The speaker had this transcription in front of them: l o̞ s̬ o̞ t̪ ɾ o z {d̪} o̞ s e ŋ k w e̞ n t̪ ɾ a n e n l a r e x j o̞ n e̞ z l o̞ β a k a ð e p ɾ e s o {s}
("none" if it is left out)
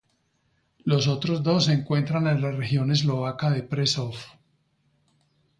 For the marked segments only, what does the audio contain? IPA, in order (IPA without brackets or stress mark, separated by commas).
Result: d̪, f